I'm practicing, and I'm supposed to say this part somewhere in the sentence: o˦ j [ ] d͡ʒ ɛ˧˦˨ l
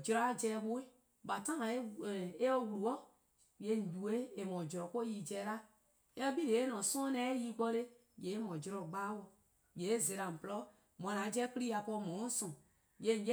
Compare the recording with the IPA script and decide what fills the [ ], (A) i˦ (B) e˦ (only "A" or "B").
A